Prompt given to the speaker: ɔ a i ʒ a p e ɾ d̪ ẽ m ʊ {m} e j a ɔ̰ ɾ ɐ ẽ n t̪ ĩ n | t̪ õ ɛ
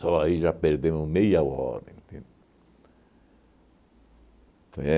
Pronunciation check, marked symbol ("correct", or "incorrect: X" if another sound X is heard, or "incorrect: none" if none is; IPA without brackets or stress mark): correct